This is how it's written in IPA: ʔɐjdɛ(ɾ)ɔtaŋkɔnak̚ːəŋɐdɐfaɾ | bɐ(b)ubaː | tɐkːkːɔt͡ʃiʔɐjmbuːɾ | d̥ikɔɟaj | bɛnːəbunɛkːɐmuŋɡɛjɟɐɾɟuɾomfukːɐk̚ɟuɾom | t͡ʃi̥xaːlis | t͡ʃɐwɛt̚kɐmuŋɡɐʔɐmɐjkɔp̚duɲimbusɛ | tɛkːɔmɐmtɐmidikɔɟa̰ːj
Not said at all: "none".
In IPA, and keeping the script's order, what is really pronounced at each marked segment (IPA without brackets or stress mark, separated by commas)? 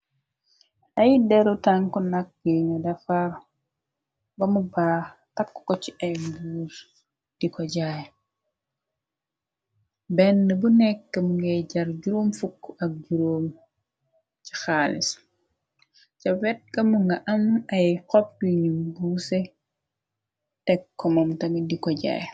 ɾ, m